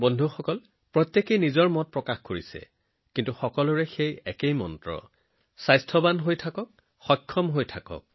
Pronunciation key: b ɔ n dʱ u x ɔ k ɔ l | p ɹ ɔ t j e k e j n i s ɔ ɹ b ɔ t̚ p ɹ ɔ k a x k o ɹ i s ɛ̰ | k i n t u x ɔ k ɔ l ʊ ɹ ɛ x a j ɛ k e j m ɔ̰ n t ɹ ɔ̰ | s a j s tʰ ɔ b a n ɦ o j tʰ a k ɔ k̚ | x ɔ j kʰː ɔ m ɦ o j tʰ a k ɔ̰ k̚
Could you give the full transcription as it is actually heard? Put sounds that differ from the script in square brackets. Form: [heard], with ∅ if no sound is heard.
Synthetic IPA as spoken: b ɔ n dʱ u x ɔ k ɔ l | p ɹ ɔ t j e k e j n i [z] ɔ ɹ [m] ɔ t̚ p ɹ ɔ k a x k o ɹ i s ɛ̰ | k i n t u x ɔ k ɔ l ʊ ɹ ɛ x [e] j ɛ k e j m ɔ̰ n t ɹ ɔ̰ | s a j s tʰ ɔ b a n ɦ o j tʰ a k ɔ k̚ | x ɔ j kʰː ɔ m ɦ o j tʰ a k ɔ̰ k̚